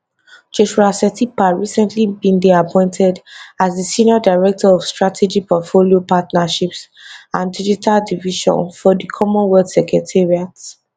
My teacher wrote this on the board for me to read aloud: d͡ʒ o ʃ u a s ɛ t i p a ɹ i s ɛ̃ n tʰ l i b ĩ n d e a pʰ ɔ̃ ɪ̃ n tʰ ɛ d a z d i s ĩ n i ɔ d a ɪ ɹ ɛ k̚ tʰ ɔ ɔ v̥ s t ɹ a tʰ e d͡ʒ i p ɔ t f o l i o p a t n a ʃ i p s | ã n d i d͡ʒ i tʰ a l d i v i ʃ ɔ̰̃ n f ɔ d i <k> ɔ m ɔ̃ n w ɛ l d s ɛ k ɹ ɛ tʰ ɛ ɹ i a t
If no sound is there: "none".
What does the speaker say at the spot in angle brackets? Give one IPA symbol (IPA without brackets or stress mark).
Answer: kʰ